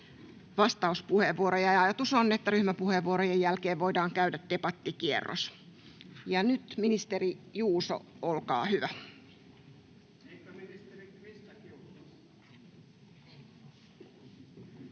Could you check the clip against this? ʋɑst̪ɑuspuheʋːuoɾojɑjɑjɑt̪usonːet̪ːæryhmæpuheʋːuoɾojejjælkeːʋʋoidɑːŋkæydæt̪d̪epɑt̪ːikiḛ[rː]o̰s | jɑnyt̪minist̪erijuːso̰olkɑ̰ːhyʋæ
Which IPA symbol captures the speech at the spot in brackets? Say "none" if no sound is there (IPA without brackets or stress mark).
rː